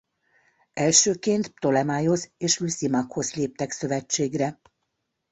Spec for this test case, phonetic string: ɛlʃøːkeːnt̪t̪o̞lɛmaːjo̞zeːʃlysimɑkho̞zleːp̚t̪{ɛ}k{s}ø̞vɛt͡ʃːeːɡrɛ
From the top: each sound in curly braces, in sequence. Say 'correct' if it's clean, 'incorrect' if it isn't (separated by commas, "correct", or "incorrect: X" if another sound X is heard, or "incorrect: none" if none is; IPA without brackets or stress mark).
correct, correct